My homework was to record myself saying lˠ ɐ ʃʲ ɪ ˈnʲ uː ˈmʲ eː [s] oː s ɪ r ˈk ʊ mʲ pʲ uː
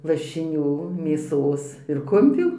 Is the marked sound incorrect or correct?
correct